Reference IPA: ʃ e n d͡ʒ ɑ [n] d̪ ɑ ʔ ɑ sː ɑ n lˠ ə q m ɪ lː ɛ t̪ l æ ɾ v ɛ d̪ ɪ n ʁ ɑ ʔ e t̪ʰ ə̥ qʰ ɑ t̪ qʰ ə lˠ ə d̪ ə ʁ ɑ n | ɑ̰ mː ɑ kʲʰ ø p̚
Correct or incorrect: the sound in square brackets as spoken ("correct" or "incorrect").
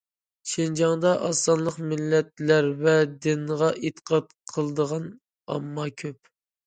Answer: incorrect